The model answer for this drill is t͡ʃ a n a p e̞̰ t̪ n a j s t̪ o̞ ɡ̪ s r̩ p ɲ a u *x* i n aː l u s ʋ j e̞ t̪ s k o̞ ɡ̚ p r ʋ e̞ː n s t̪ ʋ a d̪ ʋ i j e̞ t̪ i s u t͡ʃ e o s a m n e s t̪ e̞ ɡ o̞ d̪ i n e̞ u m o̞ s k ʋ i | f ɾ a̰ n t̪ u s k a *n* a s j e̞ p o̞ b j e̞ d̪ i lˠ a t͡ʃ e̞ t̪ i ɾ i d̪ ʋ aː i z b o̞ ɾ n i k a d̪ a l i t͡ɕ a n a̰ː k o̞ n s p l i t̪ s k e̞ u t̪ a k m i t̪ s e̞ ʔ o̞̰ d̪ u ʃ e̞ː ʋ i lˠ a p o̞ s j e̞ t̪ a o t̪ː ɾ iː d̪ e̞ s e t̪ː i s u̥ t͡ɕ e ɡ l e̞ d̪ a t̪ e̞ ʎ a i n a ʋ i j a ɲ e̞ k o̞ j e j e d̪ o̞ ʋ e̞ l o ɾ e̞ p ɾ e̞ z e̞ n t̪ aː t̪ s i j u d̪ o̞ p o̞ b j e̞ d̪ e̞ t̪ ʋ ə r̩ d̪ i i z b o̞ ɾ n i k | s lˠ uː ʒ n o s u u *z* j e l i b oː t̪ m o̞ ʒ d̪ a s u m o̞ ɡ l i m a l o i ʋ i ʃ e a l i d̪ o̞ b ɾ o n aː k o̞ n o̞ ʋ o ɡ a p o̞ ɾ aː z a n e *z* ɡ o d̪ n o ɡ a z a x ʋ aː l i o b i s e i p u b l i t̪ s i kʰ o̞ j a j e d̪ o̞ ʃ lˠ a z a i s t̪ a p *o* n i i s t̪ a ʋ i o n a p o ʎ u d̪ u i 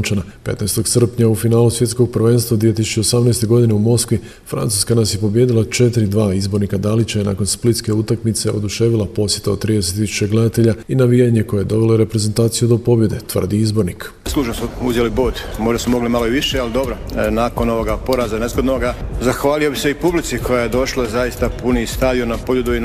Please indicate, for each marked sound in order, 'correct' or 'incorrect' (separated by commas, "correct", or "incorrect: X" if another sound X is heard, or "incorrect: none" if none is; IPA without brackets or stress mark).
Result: incorrect: f, correct, correct, correct, incorrect: u